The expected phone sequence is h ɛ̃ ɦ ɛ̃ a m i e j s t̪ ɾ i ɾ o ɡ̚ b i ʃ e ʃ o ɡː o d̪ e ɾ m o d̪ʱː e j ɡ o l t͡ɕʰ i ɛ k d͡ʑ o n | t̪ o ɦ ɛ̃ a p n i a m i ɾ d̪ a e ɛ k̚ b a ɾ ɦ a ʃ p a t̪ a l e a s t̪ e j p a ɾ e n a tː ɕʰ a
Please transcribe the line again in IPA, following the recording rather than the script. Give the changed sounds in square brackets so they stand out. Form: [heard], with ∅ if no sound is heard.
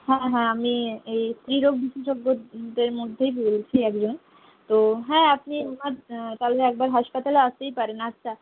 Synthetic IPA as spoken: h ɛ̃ ɦ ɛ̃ a m i e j s t̪ ɾ i ɾ o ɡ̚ b i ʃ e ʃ o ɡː o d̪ e ɾ m o d̪ʱː e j [b] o l t͡ɕʰ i ɛ k d͡ʑ o n | t̪ o ɦ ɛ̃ a p n i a m [a] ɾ [t̪] a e ɛ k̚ b a ɾ ɦ a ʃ p a t̪ a l e a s t̪ e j p a ɾ e n a tː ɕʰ a